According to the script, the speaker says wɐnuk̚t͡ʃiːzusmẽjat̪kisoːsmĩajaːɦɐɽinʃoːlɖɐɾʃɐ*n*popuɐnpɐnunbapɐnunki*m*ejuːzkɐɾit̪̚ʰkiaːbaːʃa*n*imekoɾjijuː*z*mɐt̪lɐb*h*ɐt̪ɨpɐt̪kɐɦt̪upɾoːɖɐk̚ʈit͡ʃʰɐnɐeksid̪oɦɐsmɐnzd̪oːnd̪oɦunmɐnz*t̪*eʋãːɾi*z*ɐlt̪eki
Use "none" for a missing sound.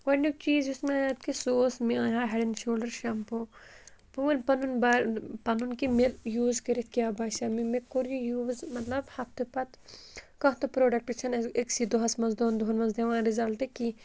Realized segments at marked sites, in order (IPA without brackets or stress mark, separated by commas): m, m, m, z, h, d̪, z